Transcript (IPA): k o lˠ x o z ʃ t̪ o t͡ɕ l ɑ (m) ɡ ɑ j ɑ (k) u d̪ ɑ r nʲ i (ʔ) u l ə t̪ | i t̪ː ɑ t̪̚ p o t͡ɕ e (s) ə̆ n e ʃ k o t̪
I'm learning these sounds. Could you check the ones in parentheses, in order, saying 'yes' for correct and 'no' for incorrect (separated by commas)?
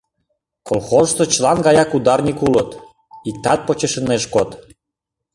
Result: no, yes, no, no